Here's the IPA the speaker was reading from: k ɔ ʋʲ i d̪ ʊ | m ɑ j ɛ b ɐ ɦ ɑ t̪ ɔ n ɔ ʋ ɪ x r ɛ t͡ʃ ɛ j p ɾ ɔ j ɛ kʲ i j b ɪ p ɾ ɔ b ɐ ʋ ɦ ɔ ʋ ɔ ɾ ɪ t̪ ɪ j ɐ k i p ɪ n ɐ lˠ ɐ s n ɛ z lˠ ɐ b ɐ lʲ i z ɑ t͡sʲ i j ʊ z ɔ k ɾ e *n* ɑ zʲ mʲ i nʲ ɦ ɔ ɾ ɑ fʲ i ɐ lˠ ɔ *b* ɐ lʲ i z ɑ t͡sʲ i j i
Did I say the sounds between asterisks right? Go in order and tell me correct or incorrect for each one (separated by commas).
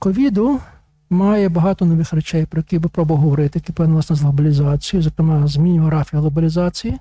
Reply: incorrect, correct